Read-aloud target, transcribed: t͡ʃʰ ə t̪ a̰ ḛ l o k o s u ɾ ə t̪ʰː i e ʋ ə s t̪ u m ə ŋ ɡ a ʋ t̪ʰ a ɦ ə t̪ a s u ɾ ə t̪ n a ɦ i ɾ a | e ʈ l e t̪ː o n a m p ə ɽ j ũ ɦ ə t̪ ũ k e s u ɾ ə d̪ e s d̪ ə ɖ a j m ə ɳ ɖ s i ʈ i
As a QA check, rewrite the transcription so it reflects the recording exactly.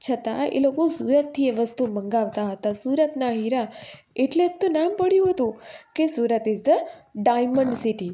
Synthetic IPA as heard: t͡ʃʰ ə t̪ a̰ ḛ l o k o s u ɾ ə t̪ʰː i e ʋ ə s t̪ u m ə ŋ ɡ a ʋ t̪ a ɦ ə t̪ a s u ɾ ə t̪ n a ɦ i ɾ a | e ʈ l e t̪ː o n a m p ə ɽ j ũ ɦ ə t̪ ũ k e s u ɾ ə t̪ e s d̪ ə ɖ a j m ə ɳ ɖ s i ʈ i